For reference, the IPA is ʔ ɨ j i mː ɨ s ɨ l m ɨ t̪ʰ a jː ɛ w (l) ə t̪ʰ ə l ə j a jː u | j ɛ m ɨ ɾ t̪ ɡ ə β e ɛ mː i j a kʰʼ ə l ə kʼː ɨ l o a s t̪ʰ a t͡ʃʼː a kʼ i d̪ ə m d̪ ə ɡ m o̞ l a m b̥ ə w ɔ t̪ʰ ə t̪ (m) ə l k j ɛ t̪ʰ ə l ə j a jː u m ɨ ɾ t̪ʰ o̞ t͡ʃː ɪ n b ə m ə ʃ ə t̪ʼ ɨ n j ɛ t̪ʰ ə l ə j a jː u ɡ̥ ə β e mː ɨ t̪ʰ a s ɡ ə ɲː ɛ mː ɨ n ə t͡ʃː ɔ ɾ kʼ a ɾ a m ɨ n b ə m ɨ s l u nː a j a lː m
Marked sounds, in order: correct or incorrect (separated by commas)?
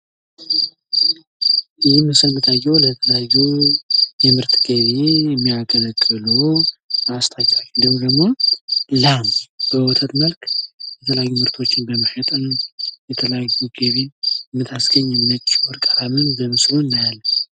correct, correct